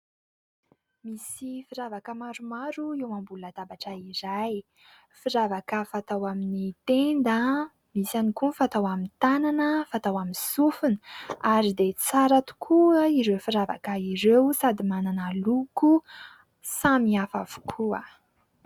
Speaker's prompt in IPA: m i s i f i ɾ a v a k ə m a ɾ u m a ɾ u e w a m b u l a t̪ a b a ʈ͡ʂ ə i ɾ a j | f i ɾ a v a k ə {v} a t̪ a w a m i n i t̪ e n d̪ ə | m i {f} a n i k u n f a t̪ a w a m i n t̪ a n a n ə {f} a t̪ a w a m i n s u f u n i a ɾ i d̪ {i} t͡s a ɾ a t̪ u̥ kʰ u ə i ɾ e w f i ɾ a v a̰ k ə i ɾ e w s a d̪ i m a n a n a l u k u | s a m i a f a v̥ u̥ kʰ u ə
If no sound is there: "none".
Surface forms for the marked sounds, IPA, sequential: f, s, f, e

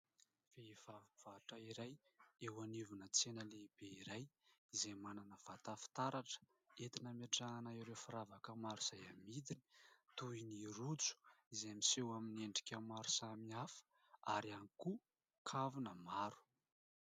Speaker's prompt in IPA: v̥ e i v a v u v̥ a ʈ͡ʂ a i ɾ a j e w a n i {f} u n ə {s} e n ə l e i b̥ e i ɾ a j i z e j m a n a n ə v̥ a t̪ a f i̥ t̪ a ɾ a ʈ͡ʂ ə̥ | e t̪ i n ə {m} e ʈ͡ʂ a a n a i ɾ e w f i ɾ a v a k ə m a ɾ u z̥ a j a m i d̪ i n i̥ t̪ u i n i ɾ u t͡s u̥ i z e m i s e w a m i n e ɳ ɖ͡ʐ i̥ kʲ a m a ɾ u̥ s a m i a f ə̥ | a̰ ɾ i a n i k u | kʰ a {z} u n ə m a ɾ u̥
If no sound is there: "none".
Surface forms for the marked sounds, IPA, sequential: v, t͡s, m, v

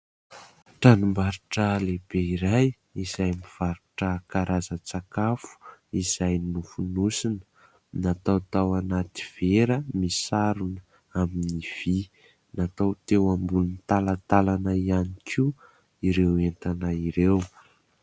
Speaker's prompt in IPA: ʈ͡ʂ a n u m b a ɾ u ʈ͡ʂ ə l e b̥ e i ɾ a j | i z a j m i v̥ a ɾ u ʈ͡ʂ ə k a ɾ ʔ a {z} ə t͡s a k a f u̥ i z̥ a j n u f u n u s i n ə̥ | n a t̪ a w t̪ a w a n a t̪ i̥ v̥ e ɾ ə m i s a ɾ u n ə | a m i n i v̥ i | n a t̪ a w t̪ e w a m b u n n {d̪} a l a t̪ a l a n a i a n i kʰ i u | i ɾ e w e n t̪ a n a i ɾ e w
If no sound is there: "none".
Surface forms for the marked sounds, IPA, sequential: z, t̪

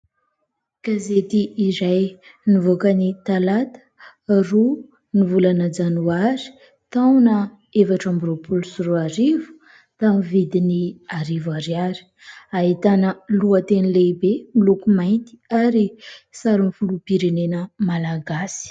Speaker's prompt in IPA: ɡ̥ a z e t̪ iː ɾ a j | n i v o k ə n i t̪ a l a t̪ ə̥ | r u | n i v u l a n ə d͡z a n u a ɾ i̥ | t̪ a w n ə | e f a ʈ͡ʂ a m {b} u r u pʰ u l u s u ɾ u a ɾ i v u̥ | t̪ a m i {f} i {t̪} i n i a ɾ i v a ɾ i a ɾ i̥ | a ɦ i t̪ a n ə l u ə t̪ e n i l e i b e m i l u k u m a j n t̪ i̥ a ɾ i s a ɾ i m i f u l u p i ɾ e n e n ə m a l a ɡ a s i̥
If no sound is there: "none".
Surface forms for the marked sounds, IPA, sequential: b, v, d̪

